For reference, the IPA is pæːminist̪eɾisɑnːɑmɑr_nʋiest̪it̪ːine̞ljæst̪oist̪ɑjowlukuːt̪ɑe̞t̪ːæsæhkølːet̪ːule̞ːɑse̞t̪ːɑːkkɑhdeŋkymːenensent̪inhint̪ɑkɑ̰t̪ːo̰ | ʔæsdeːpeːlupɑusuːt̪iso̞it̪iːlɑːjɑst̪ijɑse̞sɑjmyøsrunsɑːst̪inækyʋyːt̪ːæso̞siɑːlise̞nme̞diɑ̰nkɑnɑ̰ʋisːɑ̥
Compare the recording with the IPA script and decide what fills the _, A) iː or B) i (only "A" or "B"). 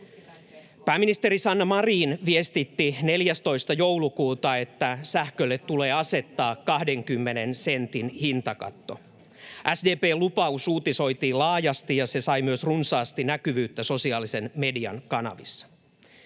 A